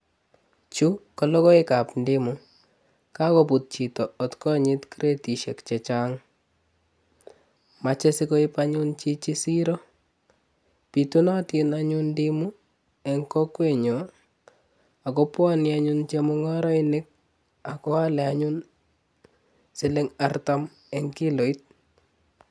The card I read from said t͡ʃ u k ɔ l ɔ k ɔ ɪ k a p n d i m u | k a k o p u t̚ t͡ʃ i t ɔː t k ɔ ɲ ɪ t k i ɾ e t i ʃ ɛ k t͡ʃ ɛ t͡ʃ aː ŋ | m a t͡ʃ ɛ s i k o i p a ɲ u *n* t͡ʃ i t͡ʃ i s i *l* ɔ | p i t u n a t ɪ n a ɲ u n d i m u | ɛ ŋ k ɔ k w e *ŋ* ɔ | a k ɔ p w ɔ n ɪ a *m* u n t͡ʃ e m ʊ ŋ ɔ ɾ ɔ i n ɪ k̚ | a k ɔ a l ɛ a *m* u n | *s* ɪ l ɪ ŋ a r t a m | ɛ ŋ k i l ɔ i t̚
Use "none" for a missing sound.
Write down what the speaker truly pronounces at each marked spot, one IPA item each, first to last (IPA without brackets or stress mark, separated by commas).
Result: n, ɾ, ɲ, ɲ, ɲ, s